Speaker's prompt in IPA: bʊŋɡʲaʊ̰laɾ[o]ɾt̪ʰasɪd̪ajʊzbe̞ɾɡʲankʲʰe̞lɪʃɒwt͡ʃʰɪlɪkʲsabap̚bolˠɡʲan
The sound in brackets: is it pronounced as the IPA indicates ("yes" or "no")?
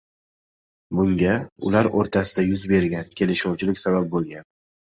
yes